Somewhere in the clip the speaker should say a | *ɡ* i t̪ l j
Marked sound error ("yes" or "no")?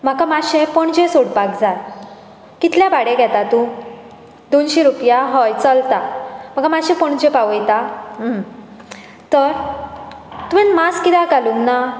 yes